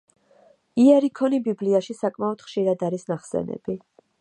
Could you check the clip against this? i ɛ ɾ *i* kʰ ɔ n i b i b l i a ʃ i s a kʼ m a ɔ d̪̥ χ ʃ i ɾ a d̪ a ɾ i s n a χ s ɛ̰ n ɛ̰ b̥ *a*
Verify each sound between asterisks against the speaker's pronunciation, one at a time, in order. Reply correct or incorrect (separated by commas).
correct, incorrect